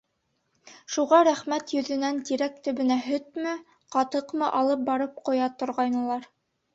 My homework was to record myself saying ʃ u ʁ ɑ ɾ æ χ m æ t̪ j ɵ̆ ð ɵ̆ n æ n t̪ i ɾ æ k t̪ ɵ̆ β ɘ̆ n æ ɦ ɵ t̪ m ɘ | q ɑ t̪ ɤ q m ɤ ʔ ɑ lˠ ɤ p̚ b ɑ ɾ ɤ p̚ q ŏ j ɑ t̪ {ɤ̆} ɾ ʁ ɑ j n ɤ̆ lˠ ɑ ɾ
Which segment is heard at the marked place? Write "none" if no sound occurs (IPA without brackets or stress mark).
ŏ